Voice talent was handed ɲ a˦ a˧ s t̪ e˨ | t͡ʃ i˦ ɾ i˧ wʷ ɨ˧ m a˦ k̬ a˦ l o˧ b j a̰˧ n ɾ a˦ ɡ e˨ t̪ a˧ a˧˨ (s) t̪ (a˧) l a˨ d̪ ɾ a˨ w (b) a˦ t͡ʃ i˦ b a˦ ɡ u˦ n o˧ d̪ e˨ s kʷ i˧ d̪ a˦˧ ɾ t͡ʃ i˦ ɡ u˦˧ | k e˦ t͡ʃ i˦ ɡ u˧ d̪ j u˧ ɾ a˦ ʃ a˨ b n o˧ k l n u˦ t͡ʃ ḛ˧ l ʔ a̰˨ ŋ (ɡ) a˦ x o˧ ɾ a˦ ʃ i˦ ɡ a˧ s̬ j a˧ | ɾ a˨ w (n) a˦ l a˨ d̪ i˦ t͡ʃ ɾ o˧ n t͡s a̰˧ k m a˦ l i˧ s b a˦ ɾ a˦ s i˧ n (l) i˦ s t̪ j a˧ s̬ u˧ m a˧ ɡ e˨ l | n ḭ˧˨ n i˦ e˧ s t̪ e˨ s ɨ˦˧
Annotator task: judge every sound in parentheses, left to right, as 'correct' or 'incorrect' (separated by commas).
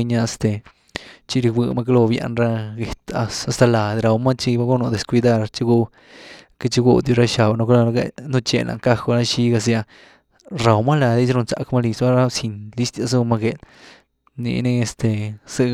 correct, correct, incorrect, incorrect, incorrect, correct